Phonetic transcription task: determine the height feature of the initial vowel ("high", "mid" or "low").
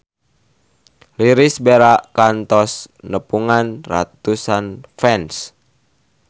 high